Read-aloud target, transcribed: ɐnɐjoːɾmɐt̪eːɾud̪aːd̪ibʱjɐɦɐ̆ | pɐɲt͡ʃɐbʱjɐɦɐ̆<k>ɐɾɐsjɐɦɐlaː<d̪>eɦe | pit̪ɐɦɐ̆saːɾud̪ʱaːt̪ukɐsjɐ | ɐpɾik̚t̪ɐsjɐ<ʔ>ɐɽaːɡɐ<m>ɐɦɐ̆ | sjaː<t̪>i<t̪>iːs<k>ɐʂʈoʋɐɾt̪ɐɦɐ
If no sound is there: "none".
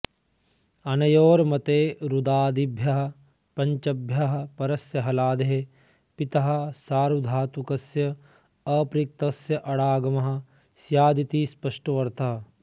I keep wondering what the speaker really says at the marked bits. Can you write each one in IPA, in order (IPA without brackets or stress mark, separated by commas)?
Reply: p, d̪, ʔ, m, d̪, t̪, p